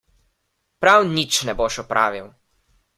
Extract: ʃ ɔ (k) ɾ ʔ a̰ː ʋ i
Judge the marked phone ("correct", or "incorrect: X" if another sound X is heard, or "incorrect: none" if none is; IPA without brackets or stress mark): incorrect: p